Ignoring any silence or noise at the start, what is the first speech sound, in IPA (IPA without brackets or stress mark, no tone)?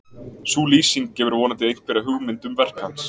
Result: s